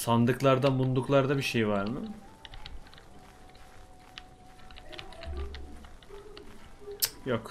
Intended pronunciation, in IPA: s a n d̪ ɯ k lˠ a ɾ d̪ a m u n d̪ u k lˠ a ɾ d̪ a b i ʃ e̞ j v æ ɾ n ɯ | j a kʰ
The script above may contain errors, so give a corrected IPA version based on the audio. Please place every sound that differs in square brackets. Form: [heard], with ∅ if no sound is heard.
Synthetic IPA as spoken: s a n d̪ ɯ k lˠ a ɾ d̪ a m u n d̪ u k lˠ a ɾ d̪ a b i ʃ e̞ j v [a] ɾ [m] ɯ | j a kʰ